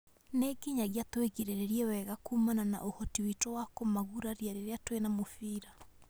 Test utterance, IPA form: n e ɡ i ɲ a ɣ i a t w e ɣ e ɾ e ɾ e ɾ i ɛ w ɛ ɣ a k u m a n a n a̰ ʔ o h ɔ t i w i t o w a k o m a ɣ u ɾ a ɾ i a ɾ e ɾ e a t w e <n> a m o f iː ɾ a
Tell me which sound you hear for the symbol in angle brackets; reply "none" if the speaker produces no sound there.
n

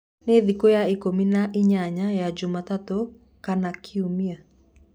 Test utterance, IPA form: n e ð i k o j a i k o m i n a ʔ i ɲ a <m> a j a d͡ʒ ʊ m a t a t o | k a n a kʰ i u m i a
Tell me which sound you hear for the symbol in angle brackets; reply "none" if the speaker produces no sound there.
ɲ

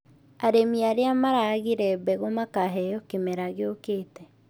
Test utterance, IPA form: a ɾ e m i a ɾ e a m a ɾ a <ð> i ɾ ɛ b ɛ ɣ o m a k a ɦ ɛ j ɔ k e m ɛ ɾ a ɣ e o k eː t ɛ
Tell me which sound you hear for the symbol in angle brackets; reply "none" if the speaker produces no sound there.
ɣ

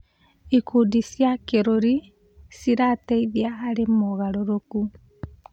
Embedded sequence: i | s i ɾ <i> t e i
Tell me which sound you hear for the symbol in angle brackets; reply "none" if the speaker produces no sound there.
a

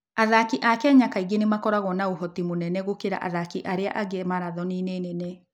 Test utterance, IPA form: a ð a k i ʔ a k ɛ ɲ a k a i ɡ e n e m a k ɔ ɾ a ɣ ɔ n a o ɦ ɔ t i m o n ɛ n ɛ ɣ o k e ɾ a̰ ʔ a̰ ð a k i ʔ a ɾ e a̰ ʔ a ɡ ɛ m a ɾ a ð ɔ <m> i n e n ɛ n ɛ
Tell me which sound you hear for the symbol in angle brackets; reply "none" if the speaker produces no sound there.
n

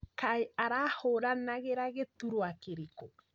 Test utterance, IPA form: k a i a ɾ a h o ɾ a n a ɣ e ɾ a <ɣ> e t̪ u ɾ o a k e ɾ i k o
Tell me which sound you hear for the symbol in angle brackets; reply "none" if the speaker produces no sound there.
ɣ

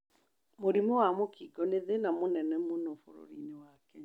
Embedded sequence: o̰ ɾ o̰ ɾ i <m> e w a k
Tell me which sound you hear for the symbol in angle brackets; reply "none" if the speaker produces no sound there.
n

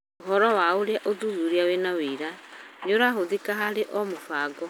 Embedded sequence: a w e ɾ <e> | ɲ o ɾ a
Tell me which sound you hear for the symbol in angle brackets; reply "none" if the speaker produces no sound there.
a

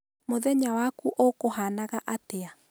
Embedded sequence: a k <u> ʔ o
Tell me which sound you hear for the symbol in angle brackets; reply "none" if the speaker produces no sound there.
u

